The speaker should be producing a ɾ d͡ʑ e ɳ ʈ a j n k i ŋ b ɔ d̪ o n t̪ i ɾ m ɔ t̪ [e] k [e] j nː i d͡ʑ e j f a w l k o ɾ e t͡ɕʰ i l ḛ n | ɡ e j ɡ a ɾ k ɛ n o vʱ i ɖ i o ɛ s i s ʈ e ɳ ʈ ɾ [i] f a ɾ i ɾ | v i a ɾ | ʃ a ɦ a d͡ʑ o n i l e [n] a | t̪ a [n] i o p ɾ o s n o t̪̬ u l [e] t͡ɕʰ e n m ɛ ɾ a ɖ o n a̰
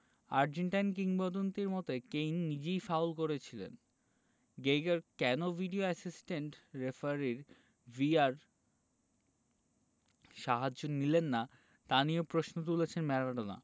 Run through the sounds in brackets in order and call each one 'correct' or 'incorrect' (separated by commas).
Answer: correct, correct, incorrect, incorrect, correct, correct